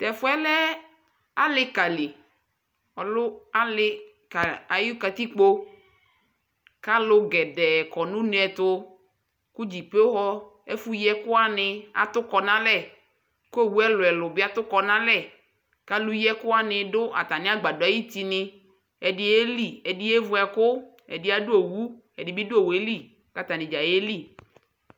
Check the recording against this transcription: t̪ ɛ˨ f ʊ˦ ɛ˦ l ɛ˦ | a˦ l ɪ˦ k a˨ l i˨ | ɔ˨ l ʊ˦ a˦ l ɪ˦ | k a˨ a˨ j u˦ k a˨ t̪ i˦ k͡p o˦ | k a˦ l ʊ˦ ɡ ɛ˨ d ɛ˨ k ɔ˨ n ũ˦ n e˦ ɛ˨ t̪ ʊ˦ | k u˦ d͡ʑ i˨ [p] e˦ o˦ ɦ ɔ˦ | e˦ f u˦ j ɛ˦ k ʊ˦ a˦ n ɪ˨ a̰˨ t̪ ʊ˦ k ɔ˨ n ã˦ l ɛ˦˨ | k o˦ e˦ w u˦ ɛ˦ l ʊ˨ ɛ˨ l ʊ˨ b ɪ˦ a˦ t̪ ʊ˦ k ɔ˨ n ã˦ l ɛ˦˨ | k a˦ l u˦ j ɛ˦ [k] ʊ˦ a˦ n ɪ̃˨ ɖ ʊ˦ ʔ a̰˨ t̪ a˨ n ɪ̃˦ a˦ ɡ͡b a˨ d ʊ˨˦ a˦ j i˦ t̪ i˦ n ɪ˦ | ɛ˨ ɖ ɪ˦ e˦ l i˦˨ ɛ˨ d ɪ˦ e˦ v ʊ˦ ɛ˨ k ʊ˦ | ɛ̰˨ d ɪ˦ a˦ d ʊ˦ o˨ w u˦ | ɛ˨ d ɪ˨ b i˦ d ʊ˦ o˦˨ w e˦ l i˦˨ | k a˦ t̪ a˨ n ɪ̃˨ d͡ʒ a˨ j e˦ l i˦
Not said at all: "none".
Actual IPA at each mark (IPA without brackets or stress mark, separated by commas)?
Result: p, k